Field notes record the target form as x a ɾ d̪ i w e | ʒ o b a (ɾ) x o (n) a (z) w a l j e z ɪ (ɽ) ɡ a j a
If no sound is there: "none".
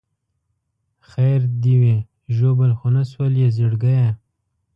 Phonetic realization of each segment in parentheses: l, n, s, ɽ

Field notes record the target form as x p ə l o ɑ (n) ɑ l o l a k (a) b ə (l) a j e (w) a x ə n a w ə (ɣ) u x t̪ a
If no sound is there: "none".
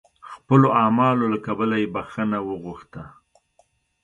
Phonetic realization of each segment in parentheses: m, a, l, b, ɣ

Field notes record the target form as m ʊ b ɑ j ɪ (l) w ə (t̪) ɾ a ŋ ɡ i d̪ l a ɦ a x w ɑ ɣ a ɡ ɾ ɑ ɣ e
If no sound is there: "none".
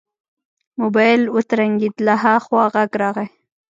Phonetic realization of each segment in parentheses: l, t̪

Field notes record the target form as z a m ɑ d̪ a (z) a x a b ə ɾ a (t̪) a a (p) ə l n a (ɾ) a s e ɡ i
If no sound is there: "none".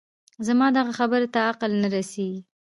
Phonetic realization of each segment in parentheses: ɣ, t̪, q, ɾ

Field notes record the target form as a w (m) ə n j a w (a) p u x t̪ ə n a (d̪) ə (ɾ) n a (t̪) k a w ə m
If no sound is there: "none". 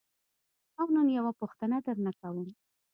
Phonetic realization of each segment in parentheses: n, a, d̪, ɾ, none

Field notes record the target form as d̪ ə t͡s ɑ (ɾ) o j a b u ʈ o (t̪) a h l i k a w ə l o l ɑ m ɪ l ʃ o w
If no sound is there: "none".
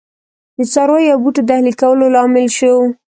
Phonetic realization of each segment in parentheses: ɾ, d̪

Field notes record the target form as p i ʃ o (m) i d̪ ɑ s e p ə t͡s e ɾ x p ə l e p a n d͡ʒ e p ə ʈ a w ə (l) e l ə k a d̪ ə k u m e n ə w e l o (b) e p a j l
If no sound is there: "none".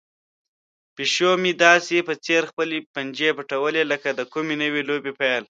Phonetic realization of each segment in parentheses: m, l, b

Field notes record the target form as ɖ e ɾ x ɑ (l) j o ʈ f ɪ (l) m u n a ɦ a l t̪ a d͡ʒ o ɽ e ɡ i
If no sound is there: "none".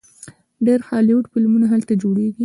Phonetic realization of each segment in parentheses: l, l

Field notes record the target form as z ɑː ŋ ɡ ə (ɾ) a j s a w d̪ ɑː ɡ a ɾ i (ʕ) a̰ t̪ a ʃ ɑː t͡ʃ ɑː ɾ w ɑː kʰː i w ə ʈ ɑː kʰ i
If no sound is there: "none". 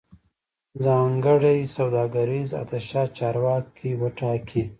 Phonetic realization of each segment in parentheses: ɽ, z

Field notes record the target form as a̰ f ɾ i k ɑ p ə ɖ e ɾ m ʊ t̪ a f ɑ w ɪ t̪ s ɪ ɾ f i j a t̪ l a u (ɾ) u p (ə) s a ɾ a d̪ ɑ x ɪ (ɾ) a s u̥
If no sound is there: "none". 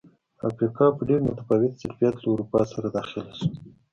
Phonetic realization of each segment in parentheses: ɾ, ɑ, l

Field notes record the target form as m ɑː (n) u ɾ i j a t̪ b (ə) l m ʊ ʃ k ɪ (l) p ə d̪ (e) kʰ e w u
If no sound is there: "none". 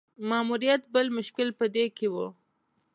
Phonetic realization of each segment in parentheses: m, ə, l, e

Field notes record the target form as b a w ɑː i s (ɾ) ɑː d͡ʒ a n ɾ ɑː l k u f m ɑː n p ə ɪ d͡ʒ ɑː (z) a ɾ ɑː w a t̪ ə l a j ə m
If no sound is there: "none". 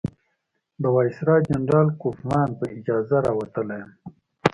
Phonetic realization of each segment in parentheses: ɾ, z

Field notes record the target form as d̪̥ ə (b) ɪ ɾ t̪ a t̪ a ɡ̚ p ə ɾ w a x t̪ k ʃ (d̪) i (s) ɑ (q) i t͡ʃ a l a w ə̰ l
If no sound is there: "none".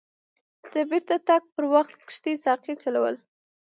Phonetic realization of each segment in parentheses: b, t̪, s, q

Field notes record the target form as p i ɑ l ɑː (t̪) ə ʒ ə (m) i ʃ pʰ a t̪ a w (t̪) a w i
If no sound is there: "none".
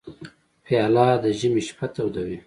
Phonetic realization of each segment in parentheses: d̪, m, d̪

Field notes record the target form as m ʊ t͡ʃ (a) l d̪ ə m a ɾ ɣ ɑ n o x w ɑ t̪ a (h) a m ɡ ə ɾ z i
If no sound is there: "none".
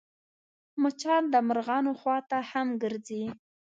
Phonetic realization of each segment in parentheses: ɑ, h

